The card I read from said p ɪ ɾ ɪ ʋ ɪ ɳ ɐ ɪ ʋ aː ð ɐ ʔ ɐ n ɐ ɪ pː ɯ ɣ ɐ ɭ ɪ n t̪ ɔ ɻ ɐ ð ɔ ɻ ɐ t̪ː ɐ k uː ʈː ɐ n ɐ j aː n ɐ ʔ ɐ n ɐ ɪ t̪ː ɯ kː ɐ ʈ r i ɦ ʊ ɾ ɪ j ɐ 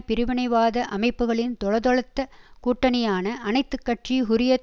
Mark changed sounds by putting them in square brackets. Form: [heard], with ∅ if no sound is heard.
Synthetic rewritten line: p ɪ ɾ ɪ ʋ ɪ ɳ ɐ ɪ ʋ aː ð ɐ ʔ ɐ [m] ɐ ɪ pː ɯ ɣ ɐ ɭ ɪ n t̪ ɔ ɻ ɐ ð ɔ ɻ ɐ t̪ː ɐ k uː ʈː ɐ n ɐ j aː n ɐ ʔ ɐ n ɐ ɪ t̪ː ɯ kː ɐ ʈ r i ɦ ʊ ɾ ɪ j ɐ